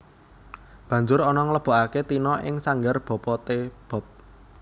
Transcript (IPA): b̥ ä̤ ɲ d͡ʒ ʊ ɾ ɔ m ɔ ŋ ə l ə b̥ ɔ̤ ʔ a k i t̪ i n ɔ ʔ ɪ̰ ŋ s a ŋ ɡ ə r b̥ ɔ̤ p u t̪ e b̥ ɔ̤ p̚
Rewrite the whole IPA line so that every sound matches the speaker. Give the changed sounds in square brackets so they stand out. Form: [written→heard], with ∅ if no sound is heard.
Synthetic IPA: b̥ ä̤ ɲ d͡ʒ ʊ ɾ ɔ [m→n] ɔ ŋ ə l ə b̥ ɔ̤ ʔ a k [i→e] t̪ i n ɔ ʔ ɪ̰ ŋ s a ŋ ɡ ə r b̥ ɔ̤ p [u→ɔ] t̪ e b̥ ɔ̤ p̚